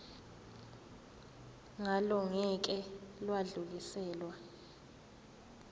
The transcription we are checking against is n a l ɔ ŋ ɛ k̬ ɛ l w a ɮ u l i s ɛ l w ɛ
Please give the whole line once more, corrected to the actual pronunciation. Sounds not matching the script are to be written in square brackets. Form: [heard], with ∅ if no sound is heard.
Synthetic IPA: [ŋ] a l ɔ ŋ ɛ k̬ ɛ l w a ɮ u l i s [ɛː] l w [a]